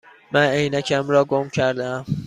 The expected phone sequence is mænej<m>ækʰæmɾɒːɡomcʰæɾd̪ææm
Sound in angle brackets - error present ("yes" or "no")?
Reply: yes